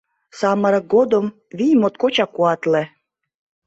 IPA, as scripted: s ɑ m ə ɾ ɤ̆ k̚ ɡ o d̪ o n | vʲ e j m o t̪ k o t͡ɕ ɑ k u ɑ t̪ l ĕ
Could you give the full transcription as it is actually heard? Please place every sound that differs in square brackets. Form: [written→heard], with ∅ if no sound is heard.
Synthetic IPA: s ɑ m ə ɾ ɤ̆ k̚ ɡ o d̪ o [n→m] | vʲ [e→i] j m o t̪ k o t͡ɕ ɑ k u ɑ t̪ l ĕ